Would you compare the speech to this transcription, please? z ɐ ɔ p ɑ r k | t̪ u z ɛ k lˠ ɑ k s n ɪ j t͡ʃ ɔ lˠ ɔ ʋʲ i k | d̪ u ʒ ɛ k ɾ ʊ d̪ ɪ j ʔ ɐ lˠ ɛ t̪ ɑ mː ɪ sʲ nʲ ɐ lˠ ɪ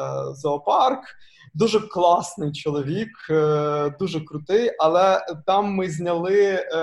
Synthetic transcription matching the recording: z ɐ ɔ p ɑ r k | d̪ u ʒ ɛ k lˠ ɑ s n ɪ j t͡ʃ ɔ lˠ ɔ ʋʲ i k | d̪ u ʒ ɛ k ɾ ʊ t̪ ɪ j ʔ ɐ lˠ ɛ t̪ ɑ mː ɪ zʲ nʲ ɐ lˠ ɪ